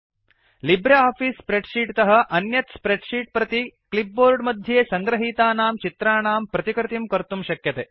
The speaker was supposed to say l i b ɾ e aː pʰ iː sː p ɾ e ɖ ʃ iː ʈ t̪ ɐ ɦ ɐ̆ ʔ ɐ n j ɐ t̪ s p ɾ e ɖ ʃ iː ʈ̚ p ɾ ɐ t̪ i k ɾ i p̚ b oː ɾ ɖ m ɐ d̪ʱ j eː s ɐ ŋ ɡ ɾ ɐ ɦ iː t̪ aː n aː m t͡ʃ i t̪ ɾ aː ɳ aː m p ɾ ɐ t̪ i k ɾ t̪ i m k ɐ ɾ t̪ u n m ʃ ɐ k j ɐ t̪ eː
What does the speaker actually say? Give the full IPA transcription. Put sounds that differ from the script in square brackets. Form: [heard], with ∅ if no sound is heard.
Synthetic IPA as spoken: l i b ɾ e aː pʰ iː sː p ɾ e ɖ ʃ iː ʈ t̪ ɐ ɦ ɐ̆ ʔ ɐ n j ɐ t̪ s p ɾ e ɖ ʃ iː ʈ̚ p ɾ ɐ t̪ i k [l] i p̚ b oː ɾ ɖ m ɐ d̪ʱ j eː s ɐ ŋ ɡ ɾ ɐ ɦ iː t̪ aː n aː m t͡ʃ i t̪ ɾ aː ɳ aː m p ɾ ɐ t̪ i k ɾ t̪ i m k ɐ ɾ t̪ u [∅] m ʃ ɐ k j ɐ t̪ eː